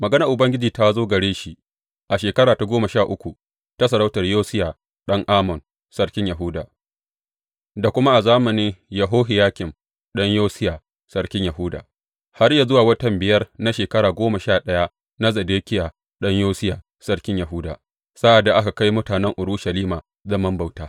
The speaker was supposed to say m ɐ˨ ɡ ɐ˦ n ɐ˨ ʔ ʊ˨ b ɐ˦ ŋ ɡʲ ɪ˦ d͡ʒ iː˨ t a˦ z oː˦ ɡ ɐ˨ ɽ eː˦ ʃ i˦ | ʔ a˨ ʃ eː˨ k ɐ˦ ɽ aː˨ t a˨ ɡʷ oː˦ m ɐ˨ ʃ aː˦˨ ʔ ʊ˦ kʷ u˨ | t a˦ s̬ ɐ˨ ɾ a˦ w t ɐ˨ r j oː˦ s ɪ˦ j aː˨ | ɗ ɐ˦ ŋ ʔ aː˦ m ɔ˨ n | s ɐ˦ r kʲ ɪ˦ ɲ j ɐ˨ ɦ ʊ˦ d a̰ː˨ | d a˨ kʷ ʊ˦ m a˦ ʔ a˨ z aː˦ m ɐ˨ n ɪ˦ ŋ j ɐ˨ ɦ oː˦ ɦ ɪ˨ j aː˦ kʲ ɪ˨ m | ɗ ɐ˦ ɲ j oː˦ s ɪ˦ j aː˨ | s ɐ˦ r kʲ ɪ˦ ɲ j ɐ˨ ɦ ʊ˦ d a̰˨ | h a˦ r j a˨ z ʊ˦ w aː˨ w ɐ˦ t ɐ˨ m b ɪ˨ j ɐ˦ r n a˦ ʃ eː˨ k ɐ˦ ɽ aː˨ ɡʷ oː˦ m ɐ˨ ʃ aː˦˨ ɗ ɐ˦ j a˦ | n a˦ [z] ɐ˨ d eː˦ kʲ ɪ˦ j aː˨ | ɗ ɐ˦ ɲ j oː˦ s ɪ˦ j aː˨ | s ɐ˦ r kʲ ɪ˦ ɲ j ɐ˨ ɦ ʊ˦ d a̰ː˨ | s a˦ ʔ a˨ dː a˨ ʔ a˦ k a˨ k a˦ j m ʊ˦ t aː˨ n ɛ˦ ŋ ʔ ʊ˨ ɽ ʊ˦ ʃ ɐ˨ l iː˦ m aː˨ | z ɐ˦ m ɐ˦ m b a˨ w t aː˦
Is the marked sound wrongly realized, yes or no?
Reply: no